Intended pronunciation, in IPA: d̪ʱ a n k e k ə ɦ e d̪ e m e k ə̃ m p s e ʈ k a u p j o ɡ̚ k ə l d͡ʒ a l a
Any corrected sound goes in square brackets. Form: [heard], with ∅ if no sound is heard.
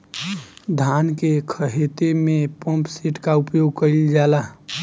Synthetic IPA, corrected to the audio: d̪ʱ a n k e [kʰ] ə ɦ e [t̪] e m e [p] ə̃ m p s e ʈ k a u p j o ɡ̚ k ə l d͡ʒ a l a